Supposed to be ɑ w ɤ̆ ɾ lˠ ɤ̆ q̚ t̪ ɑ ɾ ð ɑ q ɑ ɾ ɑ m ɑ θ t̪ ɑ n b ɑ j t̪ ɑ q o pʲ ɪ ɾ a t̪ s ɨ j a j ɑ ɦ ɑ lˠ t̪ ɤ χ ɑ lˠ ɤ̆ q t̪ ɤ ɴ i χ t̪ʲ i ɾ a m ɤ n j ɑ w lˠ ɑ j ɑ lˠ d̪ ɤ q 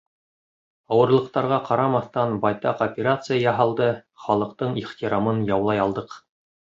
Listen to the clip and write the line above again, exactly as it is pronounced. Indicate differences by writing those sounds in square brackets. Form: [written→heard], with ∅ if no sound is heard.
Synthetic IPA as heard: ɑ w ɤ̆ ɾ lˠ ɤ̆ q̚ t̪ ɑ ɾ [ð→ʁ] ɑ q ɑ ɾ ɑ m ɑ θ t̪ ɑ n b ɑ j t̪ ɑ q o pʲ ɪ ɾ a t̪ s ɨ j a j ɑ ɦ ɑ lˠ [t̪→d̪] ɤ χ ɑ lˠ ɤ̆ q t̪ ɤ ɴ i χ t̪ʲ i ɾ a m ɤ n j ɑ w lˠ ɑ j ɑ lˠ d̪ ɤ q